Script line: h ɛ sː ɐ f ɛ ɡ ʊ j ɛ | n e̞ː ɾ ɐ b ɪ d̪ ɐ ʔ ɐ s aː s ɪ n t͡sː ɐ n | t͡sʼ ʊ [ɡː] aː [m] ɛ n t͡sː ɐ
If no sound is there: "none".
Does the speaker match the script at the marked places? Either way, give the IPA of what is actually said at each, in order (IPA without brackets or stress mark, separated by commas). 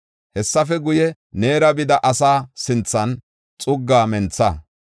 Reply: ɡː, m